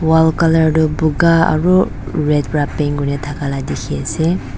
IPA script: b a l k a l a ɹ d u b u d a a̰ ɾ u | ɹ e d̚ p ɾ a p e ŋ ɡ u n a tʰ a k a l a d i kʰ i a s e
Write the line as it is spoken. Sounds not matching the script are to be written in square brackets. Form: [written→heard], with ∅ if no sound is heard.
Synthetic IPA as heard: [b→w] a l k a l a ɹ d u b u [d→ɡ] a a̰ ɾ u | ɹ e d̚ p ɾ a p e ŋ ɡ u n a tʰ a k a l a d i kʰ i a s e